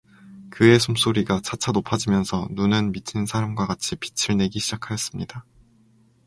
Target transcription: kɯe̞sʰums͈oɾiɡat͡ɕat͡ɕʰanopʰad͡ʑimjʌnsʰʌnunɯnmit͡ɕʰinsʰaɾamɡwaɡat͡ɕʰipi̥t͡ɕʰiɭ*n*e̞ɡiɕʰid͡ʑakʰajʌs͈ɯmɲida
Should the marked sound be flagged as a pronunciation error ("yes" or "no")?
no